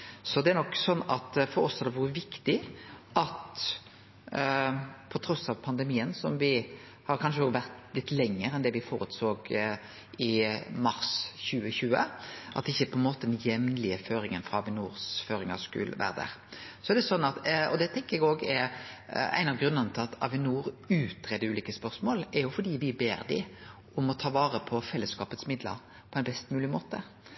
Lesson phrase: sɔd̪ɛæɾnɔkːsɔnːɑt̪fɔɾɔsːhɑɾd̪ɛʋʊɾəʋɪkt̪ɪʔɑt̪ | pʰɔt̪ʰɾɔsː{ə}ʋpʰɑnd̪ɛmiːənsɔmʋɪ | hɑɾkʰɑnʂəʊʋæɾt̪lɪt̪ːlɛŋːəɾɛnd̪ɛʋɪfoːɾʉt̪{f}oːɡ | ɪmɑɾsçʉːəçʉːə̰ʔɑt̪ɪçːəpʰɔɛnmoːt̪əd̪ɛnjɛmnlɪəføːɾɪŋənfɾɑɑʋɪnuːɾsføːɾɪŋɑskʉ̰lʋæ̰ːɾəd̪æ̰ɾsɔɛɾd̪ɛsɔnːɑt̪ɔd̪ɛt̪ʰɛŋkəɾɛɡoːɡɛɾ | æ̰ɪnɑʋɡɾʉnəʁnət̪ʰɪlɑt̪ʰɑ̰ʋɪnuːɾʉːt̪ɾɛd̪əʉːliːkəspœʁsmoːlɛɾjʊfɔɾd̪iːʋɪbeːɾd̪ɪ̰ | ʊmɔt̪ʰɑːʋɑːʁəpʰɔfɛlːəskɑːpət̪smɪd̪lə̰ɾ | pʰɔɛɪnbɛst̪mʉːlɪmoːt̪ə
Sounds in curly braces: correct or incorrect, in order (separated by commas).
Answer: incorrect, incorrect